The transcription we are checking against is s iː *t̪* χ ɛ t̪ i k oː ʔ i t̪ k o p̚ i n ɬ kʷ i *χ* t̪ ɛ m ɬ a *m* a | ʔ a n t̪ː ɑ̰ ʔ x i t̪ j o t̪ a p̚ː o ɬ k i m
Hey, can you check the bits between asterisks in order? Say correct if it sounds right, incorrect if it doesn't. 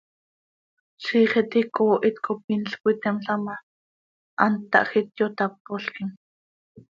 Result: incorrect: none, incorrect: none, correct

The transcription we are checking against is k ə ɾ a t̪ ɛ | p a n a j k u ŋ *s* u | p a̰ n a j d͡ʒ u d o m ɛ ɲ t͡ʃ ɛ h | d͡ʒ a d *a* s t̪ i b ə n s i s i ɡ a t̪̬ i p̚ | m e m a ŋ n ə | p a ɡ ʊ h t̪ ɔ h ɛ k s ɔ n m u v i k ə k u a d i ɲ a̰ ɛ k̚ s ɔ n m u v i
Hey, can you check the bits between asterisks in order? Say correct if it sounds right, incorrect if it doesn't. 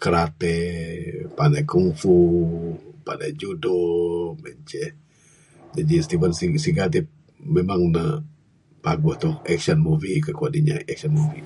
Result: incorrect: f, incorrect: i

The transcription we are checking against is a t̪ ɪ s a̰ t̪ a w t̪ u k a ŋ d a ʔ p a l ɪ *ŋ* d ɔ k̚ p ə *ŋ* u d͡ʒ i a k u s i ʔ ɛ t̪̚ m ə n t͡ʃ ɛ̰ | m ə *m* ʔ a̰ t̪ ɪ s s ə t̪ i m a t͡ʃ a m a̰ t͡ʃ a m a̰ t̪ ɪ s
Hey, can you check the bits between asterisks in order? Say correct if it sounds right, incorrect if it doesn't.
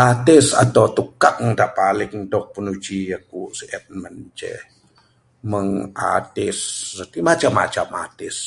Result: correct, incorrect: n, incorrect: ŋ

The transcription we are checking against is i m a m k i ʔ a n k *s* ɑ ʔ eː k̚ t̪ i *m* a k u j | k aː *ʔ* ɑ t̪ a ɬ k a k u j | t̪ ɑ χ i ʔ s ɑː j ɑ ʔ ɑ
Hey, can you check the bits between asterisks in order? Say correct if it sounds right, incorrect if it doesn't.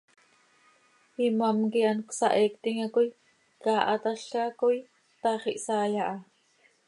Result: correct, incorrect: ŋ, correct

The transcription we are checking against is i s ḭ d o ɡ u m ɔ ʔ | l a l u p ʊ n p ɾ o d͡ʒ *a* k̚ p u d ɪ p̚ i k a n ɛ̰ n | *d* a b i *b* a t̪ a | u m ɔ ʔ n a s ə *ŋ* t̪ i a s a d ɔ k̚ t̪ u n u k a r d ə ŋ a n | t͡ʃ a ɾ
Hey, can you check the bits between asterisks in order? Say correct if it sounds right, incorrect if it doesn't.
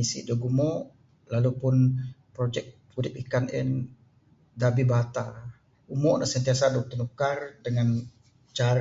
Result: incorrect: ɛ, correct, correct, incorrect: n

